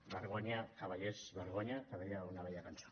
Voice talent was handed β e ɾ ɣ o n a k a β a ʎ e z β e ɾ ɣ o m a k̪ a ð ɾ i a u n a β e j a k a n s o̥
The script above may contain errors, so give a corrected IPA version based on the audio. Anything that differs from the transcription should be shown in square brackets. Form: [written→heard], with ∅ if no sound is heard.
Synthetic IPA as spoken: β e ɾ ɣ o [n→ɲ] a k a β a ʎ e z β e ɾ ɣ o [m→ɲ] a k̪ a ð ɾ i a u n a β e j a k a n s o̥